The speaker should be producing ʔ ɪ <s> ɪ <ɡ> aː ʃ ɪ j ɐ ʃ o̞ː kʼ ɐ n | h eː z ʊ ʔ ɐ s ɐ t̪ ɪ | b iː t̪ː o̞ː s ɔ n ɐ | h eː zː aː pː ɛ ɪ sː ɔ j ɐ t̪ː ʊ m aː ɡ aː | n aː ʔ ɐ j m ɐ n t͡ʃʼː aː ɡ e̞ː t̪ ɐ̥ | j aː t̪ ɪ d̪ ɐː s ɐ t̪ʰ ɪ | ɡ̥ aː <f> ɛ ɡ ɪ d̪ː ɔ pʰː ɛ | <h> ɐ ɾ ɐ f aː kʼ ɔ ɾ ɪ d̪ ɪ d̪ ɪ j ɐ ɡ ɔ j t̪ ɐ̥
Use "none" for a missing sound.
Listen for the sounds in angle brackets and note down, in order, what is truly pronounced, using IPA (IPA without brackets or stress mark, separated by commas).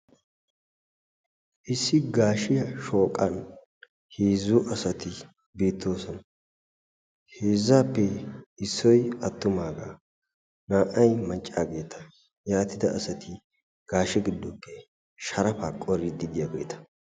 sː, ɡ, ʃ, ʃ